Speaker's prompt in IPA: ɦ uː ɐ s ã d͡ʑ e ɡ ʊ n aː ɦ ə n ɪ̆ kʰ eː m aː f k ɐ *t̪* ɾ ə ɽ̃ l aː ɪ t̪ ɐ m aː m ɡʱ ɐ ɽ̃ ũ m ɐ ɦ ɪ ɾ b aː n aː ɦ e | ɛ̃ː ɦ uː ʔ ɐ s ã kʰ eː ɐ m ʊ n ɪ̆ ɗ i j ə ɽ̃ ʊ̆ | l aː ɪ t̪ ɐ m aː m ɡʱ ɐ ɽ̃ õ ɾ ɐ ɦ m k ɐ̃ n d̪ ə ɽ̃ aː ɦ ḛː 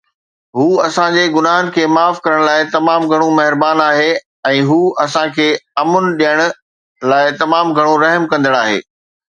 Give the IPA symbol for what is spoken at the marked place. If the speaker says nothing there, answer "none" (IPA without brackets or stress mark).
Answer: none